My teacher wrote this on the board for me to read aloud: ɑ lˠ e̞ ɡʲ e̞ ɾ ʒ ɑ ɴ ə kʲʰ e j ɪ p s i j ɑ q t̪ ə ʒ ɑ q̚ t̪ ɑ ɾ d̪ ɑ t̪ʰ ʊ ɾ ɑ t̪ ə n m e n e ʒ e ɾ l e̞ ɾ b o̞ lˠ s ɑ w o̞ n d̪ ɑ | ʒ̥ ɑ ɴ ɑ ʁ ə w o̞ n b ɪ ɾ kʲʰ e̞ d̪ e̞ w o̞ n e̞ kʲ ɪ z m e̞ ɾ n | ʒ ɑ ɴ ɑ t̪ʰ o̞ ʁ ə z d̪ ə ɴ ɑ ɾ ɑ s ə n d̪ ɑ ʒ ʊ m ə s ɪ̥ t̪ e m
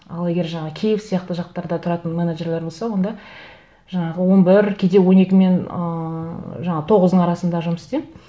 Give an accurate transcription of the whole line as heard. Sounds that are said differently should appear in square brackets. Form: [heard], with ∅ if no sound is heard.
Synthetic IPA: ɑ lˠ e̞ ɡʲ e̞ ɾ ʒ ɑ ɴ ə kʲʰ e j ɪ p s i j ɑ q t̪ ə ʒ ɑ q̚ t̪ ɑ ɾ d̪ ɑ t̪ʰ ʊ ɾ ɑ t̪ ə n m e n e ʒ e ɾ l e̞ ɾ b o̞ lˠ s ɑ w o̞ n d̪ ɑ | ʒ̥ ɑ ɴ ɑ ʁ ə w o̞ n b ɪ ɾ kʲʰ e̞ d̪ e̞ w o̞ n e̞ kʲ ɪ [∅] m e̞ [∅] n | ʒ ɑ ɴ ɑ t̪ʰ o̞ ʁ ə z d̪ ə ɴ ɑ ɾ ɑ s ə n d̪ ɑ ʒ ʊ m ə s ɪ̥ t̪ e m